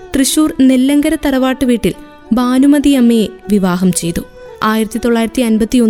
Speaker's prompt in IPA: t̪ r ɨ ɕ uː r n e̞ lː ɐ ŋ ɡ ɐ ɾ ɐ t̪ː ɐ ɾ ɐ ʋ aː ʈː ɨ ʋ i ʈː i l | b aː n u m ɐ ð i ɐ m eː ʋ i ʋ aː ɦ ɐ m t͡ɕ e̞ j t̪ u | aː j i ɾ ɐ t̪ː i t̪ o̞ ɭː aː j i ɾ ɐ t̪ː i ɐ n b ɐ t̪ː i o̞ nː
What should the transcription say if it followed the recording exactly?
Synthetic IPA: t̪ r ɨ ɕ uː r n e̞ lː ɐ ŋ ɡ ɐ ɾ ɐ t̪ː ɐ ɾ ɐ ʋ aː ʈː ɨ ʋ iː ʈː i l | b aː n u m ɐ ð i ɐ m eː ʋ i ʋ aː ɦ ɐ m t͡ɕ e̞ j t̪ u | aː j i ɾ ɐ t̪ː i t̪ o̞ ɭː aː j i ɾ ɐ t̪ː i ɐ n b ɐ t̪ː i o̞ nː